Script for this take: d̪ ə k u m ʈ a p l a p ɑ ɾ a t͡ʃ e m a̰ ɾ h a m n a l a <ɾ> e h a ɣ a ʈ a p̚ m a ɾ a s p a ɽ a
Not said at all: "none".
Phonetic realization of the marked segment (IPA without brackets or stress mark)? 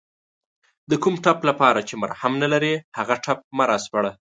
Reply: ɾ